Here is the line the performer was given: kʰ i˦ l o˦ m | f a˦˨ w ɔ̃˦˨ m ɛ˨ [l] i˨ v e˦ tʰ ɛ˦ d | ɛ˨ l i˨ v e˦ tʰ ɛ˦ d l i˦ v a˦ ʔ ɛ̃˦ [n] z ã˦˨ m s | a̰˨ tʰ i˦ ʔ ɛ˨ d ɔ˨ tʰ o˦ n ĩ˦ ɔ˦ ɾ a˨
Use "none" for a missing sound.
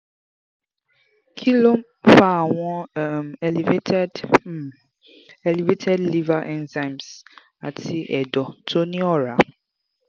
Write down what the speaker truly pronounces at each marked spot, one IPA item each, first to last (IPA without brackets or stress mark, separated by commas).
l, n